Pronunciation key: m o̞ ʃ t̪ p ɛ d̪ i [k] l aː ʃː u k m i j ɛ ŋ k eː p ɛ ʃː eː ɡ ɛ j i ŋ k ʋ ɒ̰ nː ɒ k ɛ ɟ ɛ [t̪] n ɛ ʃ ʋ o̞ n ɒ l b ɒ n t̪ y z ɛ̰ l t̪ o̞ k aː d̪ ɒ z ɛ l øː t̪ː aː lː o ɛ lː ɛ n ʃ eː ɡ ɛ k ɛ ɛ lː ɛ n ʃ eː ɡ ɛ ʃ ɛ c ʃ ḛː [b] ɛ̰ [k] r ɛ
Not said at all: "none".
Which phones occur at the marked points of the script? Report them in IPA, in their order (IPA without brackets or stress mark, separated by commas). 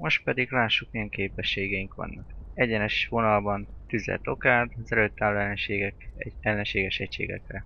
ɡ, none, ɡ, k